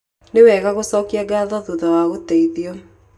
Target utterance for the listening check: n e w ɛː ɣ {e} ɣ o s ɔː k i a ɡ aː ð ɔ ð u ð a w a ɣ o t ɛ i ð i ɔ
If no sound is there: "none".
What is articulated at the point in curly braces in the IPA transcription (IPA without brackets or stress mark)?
a